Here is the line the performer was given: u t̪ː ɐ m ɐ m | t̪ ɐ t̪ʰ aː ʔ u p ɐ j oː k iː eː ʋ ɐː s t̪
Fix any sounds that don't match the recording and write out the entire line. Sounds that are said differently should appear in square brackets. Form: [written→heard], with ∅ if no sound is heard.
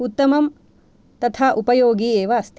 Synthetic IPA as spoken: u t̪ː ɐ m ɐ m | t̪ ɐ t̪ʰ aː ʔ u p ɐ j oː [k→ɡ] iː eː ʋ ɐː s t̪

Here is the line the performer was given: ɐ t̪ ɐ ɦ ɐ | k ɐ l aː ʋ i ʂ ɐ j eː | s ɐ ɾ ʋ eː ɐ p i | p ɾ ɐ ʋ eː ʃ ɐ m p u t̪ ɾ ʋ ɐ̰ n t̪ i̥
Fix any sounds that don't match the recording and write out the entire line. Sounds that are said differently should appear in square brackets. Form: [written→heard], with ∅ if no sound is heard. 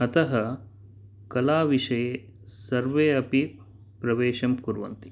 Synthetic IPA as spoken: ɐ t̪ ɐ ɦ ɐ | k ɐ l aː ʋ i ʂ ɐ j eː | s ɐ ɾ ʋ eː ɐ p i | p ɾ ɐ ʋ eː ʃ ɐ m [p→k] u [t̪→∅] ɾ ʋ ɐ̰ n t̪ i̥

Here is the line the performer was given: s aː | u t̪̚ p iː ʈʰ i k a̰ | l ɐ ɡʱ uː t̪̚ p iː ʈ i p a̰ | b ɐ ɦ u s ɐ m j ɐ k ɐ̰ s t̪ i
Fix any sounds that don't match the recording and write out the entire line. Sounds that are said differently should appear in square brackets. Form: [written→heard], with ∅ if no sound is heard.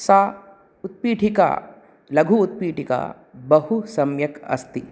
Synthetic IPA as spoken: s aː | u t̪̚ p iː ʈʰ i k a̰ | l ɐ ɡʱ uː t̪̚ p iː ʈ i [p→k] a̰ | b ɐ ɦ u s ɐ m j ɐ k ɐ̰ s t̪ i

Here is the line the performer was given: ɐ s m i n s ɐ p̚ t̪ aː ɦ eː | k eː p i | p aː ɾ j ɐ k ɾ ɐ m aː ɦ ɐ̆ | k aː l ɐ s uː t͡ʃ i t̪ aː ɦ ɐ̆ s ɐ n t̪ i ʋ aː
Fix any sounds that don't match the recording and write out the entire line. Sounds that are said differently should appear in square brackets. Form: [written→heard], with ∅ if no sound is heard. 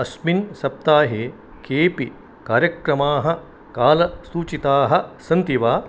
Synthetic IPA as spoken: ɐ s m i n s ɐ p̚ t̪ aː ɦ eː | k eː p i | [p→k] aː ɾ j ɐ k ɾ ɐ m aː ɦ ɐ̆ | k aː l ɐ s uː t͡ʃ i t̪ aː ɦ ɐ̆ s ɐ n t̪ i ʋ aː

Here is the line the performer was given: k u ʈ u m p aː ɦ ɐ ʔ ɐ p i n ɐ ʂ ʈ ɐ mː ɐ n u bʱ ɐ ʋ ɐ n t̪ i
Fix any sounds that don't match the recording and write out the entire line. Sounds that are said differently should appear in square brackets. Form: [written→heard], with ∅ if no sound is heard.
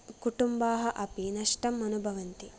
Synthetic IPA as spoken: k u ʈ u m [p→b] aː ɦ ɐ ʔ ɐ p i n ɐ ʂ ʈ ɐ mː ɐ n u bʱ ɐ ʋ ɐ n t̪ i

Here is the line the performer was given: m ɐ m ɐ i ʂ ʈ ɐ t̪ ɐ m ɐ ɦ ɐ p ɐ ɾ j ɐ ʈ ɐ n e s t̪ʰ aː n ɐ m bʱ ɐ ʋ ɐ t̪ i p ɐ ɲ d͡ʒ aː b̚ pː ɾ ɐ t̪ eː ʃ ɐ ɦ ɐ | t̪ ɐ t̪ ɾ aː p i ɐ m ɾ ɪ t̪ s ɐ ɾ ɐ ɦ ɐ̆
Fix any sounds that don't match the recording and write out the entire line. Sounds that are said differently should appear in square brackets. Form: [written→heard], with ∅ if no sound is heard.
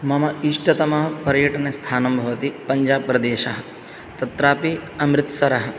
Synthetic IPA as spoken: m ɐ m ɐ i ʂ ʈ ɐ t̪ ɐ m ɐ ɦ ɐ p ɐ ɾ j ɐ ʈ ɐ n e s t̪ʰ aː n ɐ m bʱ ɐ ʋ ɐ t̪ i p ɐ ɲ d͡ʒ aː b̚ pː ɾ ɐ [t̪→d̪] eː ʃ ɐ ɦ ɐ | t̪ ɐ t̪ ɾ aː p i ɐ m ɾ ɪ t̪ s ɐ ɾ ɐ ɦ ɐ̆

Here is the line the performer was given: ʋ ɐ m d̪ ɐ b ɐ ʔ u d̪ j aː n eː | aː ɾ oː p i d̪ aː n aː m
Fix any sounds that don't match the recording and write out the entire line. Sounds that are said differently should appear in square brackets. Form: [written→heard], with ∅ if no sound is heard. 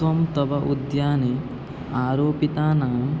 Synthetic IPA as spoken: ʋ ɐ m [d̪→t̪] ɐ b ɐ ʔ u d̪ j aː n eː | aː ɾ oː p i [d̪→t̪] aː n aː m

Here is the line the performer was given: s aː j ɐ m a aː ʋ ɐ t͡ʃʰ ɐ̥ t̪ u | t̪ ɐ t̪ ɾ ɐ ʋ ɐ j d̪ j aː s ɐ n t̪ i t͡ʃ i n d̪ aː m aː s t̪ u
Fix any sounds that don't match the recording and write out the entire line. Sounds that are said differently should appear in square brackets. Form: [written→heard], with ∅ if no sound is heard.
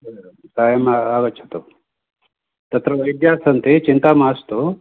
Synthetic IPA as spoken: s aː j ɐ m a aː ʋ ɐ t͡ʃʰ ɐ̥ t̪ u | t̪ ɐ t̪ ɾ ɐ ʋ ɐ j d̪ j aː s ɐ n t̪ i t͡ʃ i n [d̪→t̪] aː m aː s t̪ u

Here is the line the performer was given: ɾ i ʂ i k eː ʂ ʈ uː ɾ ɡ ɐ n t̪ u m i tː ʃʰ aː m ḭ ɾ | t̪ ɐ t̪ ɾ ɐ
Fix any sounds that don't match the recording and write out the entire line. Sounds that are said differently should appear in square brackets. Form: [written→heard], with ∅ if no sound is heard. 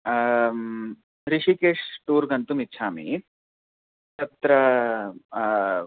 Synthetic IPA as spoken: ɾ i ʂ i k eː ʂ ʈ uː ɾ ɡ ɐ n t̪ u m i tː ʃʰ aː m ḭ [ɾ→∅] | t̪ ɐ t̪ ɾ ɐ

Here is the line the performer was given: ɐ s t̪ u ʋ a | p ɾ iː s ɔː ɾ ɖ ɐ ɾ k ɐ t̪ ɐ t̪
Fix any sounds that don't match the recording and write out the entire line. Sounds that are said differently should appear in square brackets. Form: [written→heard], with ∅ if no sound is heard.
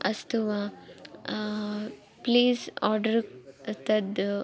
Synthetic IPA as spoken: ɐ s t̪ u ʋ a | p [ɾ→l] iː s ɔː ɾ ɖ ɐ ɾ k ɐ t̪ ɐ [t̪→d̪]

